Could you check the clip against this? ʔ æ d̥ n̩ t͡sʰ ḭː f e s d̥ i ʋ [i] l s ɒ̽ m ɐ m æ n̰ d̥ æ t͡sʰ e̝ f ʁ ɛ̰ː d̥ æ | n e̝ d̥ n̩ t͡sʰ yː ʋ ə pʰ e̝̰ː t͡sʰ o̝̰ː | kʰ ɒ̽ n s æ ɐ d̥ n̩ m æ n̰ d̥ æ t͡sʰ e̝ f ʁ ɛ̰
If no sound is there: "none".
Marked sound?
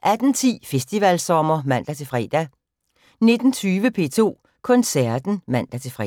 æ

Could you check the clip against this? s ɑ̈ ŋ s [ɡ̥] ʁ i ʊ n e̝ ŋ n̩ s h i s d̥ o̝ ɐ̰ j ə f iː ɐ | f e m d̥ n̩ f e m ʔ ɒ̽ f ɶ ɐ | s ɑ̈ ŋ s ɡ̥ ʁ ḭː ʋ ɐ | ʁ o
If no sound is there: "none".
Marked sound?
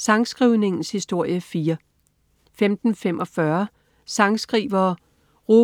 ɡ̥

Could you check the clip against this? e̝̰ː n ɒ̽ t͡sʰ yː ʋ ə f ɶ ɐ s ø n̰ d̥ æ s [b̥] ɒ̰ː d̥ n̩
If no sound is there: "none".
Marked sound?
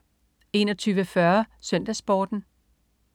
b̥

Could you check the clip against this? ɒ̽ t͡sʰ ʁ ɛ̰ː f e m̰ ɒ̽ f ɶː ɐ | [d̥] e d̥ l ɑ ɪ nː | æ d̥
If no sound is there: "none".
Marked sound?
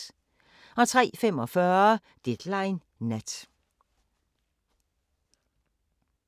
d̥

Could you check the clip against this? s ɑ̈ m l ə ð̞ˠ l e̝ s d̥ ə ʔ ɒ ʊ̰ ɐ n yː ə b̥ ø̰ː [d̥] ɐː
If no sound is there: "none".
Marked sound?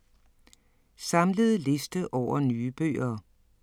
none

